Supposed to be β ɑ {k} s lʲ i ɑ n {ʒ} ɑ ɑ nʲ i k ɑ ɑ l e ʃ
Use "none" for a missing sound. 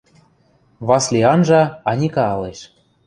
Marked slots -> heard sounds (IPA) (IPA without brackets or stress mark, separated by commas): none, ʒ